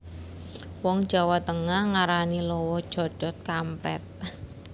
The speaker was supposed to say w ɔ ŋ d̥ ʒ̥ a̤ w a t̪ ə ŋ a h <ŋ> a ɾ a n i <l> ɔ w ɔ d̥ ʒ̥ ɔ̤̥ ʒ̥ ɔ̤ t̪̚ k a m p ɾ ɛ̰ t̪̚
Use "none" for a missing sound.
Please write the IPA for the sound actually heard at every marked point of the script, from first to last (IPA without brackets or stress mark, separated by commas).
ŋ, l